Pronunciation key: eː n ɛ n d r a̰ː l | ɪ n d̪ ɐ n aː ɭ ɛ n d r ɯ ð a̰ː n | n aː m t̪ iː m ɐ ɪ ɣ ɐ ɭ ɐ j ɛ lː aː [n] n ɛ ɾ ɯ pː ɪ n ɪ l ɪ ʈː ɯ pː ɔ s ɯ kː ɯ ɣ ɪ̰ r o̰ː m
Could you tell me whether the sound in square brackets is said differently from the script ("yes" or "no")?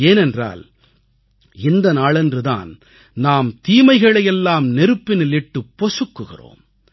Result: yes